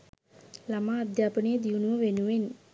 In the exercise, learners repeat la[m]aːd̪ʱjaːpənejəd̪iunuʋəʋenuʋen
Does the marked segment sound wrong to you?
no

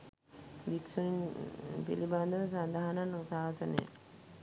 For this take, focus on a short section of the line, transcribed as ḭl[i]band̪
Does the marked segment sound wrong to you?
no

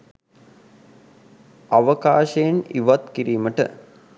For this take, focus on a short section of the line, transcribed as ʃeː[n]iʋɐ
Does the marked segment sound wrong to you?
no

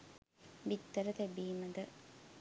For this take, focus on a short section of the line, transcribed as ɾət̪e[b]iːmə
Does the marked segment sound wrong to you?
no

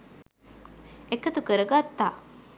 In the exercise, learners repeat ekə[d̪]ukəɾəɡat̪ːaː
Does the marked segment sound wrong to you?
yes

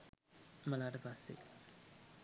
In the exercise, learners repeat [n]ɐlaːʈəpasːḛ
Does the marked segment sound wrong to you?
yes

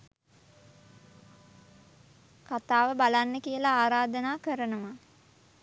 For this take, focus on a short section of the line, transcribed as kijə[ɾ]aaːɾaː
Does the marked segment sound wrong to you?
yes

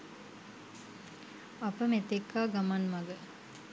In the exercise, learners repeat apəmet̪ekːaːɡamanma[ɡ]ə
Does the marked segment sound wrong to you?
no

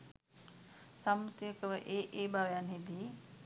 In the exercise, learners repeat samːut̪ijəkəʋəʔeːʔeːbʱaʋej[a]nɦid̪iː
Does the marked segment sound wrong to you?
no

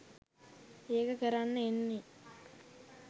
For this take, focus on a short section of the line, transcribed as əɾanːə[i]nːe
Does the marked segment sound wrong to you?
yes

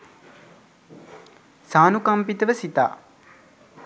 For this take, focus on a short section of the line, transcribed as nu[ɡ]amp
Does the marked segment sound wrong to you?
yes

